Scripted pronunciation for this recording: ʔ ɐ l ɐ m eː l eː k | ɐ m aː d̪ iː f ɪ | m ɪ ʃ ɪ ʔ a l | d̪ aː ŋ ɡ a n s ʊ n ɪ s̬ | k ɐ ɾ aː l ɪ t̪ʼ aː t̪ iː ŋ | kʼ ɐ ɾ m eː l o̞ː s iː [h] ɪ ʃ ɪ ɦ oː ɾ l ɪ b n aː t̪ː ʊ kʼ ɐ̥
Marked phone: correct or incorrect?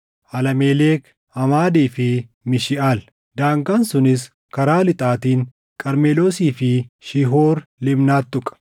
incorrect: f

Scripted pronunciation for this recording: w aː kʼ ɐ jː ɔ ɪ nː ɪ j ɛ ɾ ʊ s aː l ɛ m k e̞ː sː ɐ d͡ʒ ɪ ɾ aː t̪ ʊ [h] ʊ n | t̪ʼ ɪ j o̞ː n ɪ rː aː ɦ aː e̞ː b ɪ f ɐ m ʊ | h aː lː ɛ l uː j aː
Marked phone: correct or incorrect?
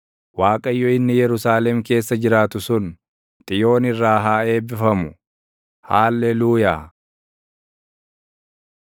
incorrect: s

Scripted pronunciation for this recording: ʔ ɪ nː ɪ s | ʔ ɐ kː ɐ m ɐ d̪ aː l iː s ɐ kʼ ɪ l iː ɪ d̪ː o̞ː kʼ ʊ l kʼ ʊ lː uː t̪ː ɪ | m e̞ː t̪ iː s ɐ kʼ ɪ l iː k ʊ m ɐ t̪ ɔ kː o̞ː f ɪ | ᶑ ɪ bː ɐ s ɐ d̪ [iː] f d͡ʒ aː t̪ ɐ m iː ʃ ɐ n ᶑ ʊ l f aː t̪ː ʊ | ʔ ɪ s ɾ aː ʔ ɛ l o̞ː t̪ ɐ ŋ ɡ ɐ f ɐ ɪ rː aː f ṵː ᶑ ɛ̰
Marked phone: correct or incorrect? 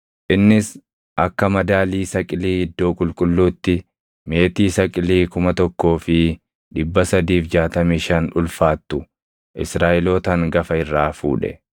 correct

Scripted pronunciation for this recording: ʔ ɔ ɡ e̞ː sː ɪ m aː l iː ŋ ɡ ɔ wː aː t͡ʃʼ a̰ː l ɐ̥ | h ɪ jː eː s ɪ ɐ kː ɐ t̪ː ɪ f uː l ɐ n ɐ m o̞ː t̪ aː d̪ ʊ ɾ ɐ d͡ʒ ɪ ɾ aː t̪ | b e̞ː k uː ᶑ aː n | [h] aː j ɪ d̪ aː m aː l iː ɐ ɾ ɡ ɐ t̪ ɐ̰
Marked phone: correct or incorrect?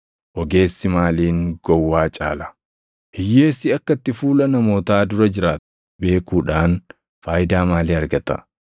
incorrect: f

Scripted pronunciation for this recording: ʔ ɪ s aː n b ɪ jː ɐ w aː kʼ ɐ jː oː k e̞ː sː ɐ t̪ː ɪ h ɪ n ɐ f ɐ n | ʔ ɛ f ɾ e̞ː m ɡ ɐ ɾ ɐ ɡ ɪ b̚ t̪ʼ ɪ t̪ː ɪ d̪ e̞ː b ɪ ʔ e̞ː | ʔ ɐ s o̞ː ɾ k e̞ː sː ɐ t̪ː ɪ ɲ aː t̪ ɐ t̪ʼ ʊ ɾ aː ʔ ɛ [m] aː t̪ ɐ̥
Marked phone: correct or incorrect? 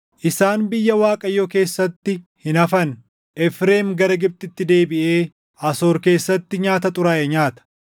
incorrect: ɲ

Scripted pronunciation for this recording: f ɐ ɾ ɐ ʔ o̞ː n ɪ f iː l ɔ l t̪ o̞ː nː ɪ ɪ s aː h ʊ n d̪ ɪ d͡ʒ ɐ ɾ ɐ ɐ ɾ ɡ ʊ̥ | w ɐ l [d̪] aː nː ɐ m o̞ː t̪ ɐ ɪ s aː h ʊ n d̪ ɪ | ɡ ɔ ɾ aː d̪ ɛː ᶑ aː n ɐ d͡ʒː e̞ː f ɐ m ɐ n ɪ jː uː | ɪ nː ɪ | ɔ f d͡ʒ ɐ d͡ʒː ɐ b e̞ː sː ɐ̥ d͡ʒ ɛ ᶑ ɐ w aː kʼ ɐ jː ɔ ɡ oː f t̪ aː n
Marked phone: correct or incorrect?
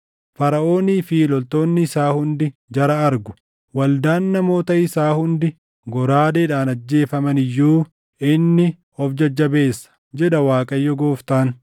correct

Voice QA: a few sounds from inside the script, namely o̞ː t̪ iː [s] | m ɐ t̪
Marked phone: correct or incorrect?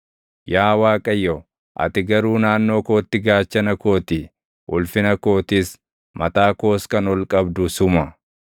correct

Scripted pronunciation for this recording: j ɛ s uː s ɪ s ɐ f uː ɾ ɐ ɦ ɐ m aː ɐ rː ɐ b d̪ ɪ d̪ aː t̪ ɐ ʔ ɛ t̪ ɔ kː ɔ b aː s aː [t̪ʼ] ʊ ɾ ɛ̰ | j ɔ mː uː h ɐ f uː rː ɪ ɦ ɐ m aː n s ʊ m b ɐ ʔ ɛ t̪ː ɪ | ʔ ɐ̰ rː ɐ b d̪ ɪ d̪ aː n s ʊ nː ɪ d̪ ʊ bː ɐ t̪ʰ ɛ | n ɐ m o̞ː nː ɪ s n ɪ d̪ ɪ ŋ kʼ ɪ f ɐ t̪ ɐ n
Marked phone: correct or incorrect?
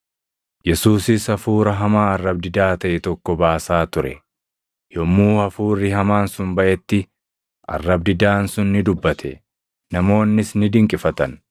incorrect: t̪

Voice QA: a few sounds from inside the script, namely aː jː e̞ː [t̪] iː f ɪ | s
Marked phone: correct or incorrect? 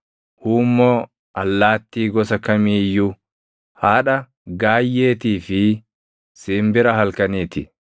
correct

